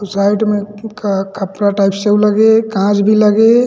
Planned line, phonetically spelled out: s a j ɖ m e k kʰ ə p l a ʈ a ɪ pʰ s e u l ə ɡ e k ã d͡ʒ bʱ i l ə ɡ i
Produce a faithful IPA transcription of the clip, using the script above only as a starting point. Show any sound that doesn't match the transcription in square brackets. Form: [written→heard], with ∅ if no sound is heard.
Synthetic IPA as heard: s a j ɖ m e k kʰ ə p [l→ɾ] a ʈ a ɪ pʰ s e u l ə ɡ e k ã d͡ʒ bʱ i l ə ɡ [i→e]